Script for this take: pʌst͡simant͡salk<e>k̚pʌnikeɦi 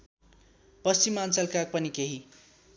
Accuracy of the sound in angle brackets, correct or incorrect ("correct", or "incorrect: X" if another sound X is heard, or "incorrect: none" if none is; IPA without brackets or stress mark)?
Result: incorrect: a